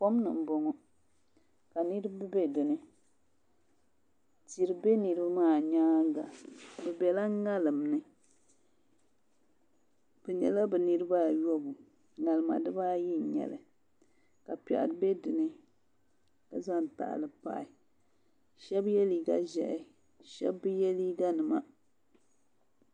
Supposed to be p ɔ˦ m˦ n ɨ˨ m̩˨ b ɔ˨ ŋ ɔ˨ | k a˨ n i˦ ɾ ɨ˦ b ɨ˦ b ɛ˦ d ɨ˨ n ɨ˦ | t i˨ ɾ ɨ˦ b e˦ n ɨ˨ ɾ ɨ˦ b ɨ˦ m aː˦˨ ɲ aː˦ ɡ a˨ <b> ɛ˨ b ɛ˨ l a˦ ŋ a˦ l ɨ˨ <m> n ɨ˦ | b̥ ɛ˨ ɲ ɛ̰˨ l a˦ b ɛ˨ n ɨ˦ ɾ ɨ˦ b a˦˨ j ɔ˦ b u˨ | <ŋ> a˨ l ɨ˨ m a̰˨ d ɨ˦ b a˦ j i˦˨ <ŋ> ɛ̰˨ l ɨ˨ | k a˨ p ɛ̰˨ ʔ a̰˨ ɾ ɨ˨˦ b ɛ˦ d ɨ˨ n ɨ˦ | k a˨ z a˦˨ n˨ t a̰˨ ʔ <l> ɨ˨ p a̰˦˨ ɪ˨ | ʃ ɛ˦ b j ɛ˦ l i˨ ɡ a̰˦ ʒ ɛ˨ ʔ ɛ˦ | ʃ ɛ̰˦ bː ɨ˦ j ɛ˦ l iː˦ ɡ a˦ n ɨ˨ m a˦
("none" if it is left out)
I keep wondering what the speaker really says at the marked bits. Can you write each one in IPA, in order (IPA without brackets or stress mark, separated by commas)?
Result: b, m, ŋ, ɲ, l